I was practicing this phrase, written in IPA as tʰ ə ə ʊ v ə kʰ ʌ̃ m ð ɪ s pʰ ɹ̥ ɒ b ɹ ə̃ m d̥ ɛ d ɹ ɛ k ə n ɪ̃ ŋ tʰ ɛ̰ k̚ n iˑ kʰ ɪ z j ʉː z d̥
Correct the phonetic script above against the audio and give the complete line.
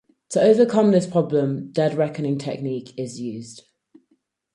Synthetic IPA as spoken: tʰ ə ə ʊ v ə kʰ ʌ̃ m ð ɪ s pʰ ɹ̥ ɒ b l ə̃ m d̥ ɛ d ɹ ɛ k ə n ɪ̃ ŋ tʰ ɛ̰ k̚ n iˑ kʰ ɪ z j ʉː z d̥